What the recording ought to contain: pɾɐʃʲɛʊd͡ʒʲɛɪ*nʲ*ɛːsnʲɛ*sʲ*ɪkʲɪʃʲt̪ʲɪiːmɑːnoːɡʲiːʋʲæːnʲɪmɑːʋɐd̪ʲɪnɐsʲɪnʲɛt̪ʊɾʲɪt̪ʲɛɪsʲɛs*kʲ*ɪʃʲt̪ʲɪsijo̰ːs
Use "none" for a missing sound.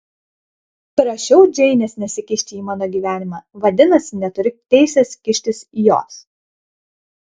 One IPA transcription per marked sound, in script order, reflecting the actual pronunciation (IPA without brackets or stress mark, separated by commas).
nʲ, sʲ, kʲ